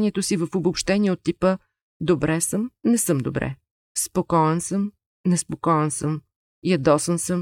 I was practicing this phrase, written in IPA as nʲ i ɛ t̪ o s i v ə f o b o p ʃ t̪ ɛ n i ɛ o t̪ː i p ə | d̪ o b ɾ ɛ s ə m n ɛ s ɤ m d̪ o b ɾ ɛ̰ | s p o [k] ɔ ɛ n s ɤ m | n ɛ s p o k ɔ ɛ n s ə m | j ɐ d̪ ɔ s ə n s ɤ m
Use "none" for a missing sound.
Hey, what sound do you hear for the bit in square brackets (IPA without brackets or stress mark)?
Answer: k